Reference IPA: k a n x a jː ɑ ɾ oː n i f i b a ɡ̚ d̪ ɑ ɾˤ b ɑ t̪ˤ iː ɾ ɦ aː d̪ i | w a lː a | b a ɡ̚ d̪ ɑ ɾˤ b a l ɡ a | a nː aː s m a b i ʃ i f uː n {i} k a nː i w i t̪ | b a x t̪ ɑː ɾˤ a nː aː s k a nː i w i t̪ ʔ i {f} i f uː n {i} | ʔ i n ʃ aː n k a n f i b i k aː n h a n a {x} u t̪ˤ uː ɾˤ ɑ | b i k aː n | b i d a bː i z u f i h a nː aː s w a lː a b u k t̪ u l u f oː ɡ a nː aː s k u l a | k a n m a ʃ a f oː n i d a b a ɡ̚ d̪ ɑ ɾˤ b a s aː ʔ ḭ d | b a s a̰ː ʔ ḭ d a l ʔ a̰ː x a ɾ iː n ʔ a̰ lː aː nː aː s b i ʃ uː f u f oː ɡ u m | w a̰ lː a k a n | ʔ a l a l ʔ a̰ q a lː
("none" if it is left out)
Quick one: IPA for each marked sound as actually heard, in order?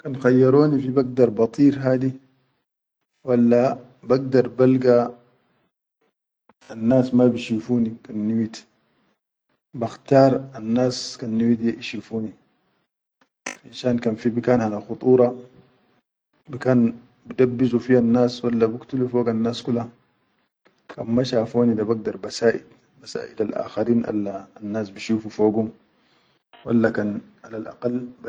i, ʃ, i, x

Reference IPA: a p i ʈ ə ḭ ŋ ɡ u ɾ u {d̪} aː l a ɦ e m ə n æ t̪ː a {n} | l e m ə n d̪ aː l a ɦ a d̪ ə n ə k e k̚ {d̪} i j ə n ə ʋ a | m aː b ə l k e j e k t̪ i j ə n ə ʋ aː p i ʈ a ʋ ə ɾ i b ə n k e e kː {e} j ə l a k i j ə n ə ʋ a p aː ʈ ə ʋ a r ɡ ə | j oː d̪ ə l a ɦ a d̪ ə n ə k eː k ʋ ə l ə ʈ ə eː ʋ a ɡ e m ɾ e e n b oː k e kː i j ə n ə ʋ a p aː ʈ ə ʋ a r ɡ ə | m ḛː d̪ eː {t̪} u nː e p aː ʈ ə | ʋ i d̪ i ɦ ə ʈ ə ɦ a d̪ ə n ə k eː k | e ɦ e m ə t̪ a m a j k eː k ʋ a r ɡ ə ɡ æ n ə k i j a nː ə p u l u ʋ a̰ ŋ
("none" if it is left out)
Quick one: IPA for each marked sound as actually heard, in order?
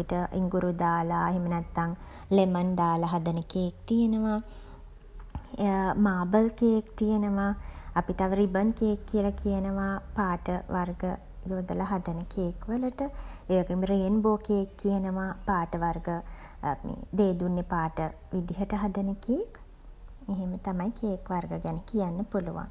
d̪, ŋ, t̪, i, d̪

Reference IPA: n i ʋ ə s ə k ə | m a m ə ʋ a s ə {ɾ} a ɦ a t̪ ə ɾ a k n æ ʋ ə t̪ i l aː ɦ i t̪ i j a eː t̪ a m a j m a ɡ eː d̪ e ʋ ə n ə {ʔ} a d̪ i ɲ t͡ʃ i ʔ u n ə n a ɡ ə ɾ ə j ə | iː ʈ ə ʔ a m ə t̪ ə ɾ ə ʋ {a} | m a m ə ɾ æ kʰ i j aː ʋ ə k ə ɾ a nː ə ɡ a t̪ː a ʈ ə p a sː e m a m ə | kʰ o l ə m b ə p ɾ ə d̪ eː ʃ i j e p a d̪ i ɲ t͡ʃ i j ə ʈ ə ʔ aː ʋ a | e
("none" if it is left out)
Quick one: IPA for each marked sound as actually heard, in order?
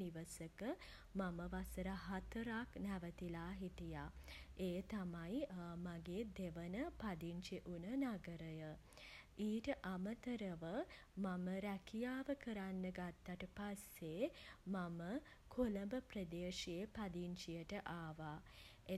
ɾ, p, ə

